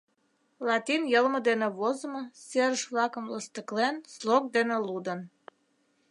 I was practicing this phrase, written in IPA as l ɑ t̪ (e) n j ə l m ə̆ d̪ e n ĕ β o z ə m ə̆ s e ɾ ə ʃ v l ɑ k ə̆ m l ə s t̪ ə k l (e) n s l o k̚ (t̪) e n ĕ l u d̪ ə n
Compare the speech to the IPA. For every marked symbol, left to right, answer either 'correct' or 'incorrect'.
incorrect, correct, incorrect

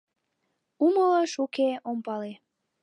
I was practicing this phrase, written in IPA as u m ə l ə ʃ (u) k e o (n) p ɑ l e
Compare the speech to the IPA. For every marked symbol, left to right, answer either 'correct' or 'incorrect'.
correct, incorrect

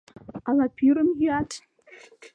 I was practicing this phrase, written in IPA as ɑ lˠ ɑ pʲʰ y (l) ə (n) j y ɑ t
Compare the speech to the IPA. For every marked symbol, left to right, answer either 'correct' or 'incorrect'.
incorrect, incorrect

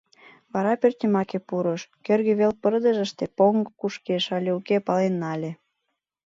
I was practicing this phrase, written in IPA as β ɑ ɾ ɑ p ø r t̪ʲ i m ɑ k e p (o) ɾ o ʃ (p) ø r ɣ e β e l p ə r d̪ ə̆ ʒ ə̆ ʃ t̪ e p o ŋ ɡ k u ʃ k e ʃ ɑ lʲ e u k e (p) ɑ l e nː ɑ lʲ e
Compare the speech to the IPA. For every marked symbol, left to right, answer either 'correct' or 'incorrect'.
incorrect, incorrect, correct

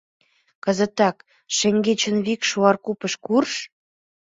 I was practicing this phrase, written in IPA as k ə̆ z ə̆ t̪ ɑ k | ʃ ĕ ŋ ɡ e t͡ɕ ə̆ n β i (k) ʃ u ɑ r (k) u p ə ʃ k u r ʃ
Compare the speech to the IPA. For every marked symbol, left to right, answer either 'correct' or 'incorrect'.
correct, correct

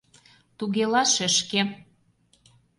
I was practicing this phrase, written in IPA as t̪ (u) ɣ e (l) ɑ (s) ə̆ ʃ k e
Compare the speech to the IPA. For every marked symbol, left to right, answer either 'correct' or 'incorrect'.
correct, correct, incorrect

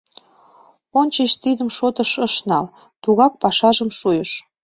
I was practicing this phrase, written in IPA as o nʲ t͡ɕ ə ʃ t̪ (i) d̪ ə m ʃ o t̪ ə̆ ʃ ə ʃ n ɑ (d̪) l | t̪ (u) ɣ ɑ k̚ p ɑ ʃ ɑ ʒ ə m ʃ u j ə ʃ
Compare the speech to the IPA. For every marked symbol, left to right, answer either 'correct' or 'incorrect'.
correct, incorrect, correct

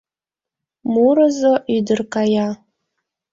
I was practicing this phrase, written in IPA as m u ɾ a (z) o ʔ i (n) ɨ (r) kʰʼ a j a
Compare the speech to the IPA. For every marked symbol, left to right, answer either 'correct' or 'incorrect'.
correct, incorrect, correct

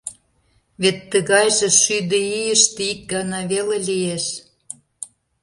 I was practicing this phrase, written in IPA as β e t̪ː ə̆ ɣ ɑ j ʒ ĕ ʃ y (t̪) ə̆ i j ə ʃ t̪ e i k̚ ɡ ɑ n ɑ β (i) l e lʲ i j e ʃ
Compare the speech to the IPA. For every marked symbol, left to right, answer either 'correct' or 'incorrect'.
incorrect, incorrect

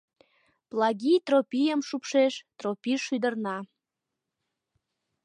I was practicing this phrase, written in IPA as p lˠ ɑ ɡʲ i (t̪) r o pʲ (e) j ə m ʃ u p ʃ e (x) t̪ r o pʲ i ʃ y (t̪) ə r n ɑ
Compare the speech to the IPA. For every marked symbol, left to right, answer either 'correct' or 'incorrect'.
correct, incorrect, incorrect, incorrect

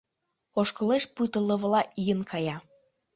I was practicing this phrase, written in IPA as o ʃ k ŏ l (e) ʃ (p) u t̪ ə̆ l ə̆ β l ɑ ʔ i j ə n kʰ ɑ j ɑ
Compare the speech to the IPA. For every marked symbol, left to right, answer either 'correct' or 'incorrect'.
correct, correct

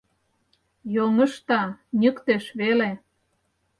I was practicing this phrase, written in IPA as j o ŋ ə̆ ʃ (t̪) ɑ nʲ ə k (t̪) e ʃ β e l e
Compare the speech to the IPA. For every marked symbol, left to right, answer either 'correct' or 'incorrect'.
correct, correct

